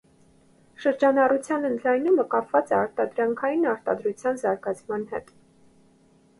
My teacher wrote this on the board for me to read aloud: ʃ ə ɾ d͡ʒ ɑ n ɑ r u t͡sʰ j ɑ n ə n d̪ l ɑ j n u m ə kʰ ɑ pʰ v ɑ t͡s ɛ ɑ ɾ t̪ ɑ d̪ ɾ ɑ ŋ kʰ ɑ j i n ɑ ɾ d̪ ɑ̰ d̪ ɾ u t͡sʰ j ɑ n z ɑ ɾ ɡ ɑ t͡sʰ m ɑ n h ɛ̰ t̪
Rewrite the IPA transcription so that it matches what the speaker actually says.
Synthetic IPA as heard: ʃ ə ɾ d͡ʒ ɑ n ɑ r u t͡sʰ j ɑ n ə n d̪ l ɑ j n u m ə k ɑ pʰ v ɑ t͡s ɛ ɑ ɾ t̪ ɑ d̪ ɾ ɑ ŋ kʰ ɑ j i n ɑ ɾ t̪ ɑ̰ d̪ ɾ u t͡sʰ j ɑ n z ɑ ɾ ɡ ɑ t͡sʰ m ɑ n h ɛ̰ t̪